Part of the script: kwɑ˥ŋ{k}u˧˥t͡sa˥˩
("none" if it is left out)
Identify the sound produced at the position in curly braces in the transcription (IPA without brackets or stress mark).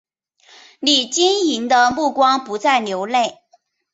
p